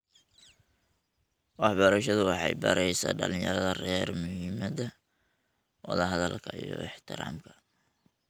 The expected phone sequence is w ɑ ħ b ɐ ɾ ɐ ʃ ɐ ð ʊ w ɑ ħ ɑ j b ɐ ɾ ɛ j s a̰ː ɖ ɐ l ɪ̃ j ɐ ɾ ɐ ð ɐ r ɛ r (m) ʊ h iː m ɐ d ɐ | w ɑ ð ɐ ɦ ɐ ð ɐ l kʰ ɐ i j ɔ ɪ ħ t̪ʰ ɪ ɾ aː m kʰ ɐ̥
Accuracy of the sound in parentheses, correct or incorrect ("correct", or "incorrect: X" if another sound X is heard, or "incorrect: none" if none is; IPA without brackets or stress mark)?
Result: correct